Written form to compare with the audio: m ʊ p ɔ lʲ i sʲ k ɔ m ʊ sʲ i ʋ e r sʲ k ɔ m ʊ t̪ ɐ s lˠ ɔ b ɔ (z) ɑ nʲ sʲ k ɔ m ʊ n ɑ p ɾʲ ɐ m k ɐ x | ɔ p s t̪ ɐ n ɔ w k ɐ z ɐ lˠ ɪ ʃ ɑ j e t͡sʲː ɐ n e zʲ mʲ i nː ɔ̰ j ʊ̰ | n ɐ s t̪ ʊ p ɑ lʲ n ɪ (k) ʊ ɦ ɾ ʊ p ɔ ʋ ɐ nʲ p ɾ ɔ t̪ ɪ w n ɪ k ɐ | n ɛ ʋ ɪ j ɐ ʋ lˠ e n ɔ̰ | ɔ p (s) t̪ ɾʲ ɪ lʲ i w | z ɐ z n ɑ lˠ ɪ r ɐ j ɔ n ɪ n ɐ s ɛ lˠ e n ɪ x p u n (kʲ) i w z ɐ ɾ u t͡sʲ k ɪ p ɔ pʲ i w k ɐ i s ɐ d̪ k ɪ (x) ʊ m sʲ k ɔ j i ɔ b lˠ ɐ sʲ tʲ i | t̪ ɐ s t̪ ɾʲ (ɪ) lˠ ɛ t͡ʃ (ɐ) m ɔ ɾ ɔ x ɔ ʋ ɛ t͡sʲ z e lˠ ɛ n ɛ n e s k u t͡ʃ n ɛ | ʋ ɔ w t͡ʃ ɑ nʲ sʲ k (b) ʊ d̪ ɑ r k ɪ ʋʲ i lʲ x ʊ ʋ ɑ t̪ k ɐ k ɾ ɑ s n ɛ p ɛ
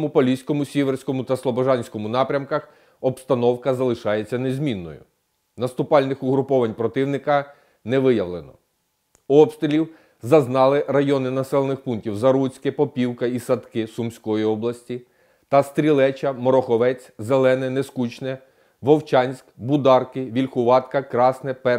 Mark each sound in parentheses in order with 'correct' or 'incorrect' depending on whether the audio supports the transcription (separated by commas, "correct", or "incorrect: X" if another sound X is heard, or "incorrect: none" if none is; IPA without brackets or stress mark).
incorrect: ʒ, incorrect: x, correct, incorrect: tʲ, incorrect: s, incorrect: i, correct, correct